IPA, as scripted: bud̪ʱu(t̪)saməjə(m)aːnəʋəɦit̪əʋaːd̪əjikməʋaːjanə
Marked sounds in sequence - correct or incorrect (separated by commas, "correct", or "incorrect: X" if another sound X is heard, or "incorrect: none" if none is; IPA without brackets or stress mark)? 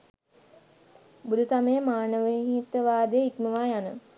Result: incorrect: none, correct